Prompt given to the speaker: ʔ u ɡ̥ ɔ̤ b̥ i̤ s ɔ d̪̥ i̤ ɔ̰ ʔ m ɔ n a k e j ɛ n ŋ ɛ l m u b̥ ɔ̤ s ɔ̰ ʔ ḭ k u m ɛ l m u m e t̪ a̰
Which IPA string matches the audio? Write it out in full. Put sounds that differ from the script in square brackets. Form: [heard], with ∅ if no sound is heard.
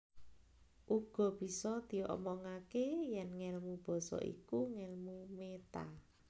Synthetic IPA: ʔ u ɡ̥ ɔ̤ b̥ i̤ s ɔ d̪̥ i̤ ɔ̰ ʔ m ɔ [ŋ] a k e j ɛ n ŋ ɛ l m u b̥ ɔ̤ s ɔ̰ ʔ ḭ k u [ŋ] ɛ l m u m e t̪ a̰